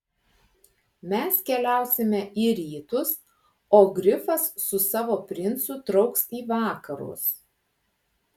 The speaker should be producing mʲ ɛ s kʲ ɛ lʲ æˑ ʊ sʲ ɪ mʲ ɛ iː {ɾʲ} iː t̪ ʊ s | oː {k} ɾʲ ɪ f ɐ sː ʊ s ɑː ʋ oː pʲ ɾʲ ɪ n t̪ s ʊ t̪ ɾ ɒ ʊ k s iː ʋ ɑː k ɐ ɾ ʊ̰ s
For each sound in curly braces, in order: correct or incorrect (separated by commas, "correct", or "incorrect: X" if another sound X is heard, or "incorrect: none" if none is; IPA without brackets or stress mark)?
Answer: correct, incorrect: ɡ